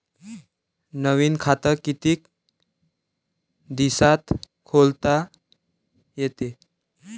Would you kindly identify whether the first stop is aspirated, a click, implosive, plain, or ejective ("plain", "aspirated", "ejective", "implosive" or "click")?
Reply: aspirated